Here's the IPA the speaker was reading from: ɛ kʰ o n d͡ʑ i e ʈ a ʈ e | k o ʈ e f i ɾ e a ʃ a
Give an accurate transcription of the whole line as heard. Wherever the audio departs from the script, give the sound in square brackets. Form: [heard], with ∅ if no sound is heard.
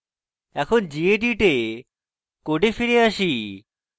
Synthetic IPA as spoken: ɛ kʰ o n d͡ʑ i e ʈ [i] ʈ e | k o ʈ e f i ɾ e a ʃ [i]